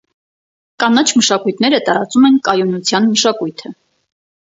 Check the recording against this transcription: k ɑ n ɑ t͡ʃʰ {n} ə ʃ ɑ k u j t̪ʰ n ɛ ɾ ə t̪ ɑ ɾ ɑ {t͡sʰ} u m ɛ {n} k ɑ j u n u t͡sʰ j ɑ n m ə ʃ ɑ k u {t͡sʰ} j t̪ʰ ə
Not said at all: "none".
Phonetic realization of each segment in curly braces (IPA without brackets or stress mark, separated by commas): m, t͡s, n, none